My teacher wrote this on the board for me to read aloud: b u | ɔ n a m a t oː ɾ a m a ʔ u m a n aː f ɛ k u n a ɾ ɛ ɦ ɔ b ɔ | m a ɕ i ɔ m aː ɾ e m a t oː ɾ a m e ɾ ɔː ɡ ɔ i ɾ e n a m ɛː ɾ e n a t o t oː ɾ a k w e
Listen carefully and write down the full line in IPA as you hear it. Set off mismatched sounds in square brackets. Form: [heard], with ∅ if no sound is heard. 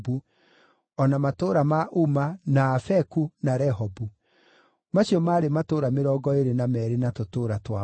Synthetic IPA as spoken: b u | ɔ n a m a t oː ɾ a m a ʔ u m a n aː f ɛ k u n a ɾ ɛ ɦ ɔ b [u] | m a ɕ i ɔ m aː ɾ e m a t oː ɾ a m e ɾ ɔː ɡ ɔ [e] ɾ e n a m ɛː ɾ e n a t o t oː ɾ a [t] w [a]